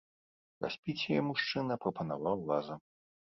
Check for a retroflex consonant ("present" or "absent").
present